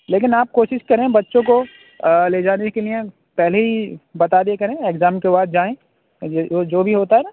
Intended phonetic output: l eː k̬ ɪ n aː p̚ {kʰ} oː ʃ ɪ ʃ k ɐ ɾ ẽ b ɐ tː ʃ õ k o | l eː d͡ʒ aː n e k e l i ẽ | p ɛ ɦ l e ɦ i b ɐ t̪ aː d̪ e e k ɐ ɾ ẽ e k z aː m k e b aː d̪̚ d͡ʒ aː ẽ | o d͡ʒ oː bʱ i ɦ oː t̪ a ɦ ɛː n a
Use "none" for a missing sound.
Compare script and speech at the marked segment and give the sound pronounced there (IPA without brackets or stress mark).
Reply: k